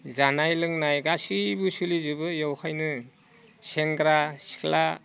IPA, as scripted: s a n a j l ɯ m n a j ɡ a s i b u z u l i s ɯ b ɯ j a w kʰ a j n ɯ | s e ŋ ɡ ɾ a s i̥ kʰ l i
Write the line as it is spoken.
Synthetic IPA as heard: z a n a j l ɯ ŋ n a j ɡ a s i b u s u l i z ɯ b ɯ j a w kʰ a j n ɯ | s e ŋ ɡ ɾ a s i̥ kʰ l a